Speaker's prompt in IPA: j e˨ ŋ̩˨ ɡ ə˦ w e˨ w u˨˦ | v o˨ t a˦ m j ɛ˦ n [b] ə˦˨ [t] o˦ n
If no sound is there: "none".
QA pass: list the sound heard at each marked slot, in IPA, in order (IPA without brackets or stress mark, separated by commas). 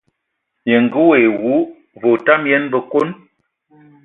b, k